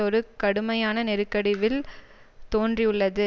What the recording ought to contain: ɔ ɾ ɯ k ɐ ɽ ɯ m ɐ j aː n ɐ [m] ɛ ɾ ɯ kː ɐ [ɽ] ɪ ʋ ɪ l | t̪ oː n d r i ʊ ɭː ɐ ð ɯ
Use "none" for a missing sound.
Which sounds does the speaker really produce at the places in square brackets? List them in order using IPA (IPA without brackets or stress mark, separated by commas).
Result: n, ɽ